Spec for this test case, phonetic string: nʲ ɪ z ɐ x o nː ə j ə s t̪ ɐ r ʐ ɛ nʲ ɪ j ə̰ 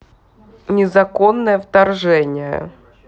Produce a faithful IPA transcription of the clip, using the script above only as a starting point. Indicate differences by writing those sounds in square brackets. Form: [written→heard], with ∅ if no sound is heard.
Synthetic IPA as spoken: nʲ ɪ z ɐ [x→k] o nː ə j ə [s→f] t̪ ɐ r ʐ ɛ nʲ ɪ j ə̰